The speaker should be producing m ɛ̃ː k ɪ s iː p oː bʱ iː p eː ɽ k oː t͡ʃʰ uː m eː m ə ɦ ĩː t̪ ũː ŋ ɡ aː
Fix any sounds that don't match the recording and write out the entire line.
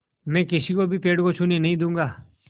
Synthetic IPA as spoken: m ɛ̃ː k ɪ s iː k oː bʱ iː p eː ɽ k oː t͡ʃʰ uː n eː n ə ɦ ĩː d̪ ũː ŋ ɡ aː